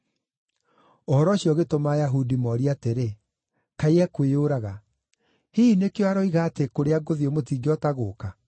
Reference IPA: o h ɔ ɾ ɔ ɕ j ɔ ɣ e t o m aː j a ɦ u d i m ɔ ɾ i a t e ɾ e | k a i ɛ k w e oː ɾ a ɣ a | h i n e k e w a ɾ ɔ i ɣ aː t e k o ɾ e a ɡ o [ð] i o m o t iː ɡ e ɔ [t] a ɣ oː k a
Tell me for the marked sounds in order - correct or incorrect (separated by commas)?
correct, correct